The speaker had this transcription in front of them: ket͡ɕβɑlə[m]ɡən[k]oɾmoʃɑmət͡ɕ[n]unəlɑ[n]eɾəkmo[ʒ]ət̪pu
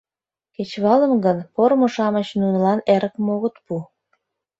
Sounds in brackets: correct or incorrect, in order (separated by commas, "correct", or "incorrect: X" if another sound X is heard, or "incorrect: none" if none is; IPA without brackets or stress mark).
correct, incorrect: p, correct, correct, incorrect: ɣ